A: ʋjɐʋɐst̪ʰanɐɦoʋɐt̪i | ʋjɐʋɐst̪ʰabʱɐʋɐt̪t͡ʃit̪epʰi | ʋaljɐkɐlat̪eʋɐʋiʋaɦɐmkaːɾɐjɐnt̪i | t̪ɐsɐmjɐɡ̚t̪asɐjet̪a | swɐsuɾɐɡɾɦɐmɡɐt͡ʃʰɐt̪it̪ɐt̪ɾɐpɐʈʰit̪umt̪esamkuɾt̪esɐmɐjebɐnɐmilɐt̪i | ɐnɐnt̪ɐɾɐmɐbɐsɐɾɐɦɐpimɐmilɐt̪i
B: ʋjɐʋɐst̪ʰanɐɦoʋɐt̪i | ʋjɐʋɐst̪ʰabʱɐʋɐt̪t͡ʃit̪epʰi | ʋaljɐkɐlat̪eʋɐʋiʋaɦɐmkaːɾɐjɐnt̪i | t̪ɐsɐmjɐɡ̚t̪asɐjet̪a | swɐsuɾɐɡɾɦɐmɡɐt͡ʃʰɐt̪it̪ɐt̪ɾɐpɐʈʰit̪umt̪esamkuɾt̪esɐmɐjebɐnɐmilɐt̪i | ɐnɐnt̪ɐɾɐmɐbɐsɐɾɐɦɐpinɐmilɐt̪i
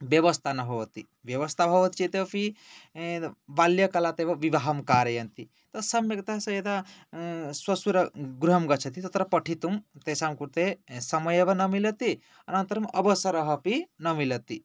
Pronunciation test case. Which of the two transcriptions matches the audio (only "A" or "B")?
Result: B